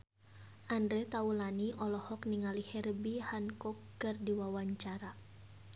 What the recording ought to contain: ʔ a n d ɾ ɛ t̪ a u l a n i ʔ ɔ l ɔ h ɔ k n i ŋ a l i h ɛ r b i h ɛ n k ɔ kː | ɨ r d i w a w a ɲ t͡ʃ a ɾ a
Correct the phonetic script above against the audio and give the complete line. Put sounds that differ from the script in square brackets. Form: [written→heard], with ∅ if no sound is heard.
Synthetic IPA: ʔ a n d ɾ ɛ t̪ a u l a n i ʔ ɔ l ɔ h ɔ k n i ŋ a l i h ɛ r b i h [ɛ→a] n k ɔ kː | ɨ r d i w a w a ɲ t͡ʃ a ɾ a